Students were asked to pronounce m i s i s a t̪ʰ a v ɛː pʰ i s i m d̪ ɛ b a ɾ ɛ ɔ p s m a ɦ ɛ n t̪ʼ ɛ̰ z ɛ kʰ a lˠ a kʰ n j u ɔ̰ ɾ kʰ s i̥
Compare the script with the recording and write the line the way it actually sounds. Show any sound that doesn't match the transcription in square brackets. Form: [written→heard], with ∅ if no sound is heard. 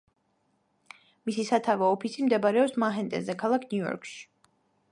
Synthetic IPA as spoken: m i s i s a t̪ʰ a v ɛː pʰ i s i m d̪ ɛ b a ɾ ɛ ɔ p s m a ɦ ɛ n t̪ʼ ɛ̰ z ɛ kʰ a lˠ a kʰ n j u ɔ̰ ɾ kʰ [s→ʃ] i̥